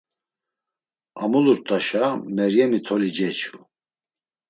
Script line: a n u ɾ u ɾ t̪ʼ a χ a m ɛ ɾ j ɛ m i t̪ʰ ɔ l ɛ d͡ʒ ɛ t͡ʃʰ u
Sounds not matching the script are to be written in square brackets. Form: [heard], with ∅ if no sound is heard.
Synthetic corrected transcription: a [m] u [l] u ɾ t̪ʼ a [ʃ] a m ɛ ɾ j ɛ m i t̪ʰ ɔ l [i] d͡ʒ ɛ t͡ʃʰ u